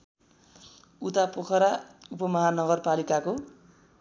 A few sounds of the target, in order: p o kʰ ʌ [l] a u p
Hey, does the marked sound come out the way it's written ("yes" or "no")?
no